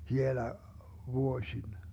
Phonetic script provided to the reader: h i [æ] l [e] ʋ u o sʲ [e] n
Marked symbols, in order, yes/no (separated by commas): no, no, no